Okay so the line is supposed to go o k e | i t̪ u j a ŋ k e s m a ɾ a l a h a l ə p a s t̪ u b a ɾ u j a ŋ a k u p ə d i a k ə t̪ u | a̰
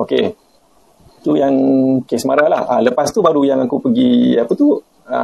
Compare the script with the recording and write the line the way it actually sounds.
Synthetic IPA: o k e | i t̪ u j a ŋ k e s m a ɾ a l a h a l ə p a s t̪ u b a ɾ u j a ŋ a k u p ə ɡ i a p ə t̪ u | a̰